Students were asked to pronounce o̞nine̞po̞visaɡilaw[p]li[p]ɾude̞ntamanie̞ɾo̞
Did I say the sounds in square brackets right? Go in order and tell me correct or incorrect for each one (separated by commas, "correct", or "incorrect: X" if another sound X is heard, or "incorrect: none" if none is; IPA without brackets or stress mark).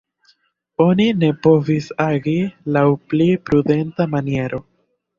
correct, correct